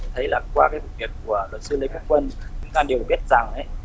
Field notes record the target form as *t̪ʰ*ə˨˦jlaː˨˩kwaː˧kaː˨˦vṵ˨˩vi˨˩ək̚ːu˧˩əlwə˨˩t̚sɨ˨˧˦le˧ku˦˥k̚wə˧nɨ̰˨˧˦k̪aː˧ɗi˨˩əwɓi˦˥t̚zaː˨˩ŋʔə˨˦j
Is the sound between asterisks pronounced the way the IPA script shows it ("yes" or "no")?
yes